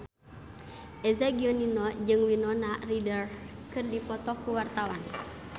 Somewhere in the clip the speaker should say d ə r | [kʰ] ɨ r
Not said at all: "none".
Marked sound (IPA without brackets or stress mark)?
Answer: k